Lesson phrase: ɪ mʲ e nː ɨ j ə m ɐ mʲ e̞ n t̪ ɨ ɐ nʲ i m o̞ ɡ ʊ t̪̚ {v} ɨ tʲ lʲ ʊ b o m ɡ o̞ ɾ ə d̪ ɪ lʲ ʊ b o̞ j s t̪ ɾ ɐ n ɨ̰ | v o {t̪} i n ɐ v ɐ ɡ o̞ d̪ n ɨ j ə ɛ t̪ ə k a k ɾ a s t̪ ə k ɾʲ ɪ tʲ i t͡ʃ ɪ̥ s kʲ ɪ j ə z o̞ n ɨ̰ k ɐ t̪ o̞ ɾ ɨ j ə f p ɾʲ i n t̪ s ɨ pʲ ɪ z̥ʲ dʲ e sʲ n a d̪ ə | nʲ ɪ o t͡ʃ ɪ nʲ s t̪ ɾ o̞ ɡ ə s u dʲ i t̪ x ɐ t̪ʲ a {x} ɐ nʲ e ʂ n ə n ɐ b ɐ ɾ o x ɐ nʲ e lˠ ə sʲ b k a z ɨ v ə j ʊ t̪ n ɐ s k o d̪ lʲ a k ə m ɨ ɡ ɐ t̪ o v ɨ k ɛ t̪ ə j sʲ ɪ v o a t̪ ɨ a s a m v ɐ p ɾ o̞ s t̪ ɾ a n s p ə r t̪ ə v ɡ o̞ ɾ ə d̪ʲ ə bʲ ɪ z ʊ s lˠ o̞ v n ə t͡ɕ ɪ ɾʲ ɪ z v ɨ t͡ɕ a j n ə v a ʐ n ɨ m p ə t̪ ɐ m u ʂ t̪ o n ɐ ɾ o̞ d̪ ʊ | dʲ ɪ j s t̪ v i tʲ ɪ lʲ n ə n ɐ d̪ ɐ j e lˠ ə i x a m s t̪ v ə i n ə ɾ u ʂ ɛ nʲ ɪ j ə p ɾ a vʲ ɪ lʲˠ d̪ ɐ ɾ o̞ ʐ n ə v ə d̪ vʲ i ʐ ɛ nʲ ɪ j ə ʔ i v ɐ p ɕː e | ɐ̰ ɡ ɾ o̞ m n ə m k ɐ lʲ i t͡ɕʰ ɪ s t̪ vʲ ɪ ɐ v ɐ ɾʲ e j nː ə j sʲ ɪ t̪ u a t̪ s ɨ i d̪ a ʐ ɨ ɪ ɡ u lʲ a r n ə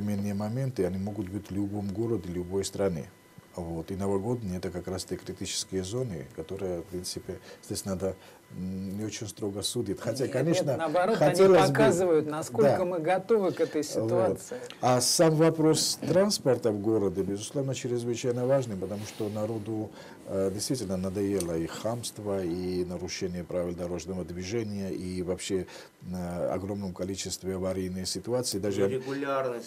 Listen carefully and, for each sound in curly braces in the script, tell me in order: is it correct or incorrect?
incorrect: b, correct, incorrect: k

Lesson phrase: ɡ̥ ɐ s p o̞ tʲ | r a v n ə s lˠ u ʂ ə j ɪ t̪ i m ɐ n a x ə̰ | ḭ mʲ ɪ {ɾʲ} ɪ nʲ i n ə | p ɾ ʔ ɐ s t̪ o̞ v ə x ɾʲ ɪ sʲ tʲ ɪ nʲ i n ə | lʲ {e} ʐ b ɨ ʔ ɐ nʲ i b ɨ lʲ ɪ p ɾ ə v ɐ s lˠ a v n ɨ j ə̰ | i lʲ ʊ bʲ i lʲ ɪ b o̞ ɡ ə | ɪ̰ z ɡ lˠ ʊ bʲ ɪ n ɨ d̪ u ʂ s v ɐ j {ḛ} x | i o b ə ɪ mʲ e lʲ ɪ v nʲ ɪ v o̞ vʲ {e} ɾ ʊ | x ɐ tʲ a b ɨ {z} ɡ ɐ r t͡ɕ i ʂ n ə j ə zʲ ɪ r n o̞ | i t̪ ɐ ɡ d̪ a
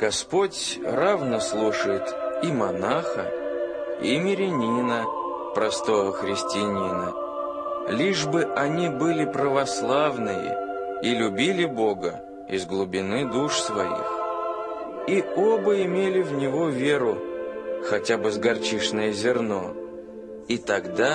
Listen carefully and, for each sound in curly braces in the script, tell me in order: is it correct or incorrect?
correct, incorrect: i, incorrect: ḭ, correct, correct

